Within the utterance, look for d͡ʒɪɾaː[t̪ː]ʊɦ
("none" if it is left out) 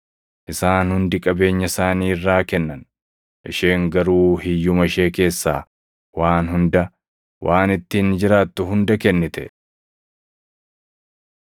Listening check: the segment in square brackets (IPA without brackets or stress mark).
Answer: t̪ː